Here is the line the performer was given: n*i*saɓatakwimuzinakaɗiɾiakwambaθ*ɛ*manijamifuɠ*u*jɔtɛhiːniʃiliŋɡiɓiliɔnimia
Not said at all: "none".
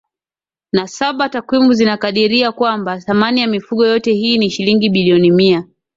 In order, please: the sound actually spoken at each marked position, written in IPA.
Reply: a, a, ɔ

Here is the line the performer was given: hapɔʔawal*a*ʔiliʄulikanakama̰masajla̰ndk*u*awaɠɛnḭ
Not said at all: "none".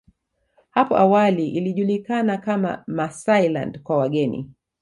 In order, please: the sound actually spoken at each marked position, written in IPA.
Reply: i, w

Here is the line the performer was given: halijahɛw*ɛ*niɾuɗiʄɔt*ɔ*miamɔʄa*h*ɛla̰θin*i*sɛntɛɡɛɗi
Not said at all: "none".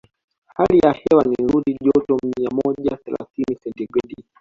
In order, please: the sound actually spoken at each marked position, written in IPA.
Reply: a, ɔ, θ, i

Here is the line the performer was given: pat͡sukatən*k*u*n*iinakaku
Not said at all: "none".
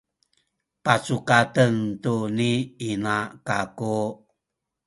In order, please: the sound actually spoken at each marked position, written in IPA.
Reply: t, n

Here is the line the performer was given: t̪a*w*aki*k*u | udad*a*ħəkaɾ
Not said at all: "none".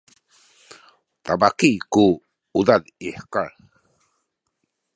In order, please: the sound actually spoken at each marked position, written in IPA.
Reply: b, k, i

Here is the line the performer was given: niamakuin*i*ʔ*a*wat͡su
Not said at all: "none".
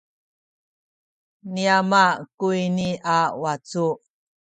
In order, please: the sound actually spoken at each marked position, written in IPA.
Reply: i, a

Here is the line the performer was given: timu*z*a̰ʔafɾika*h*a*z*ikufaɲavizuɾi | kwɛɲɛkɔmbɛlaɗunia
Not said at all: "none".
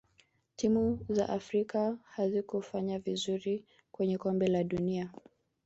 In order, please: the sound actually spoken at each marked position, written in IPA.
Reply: z, h, z

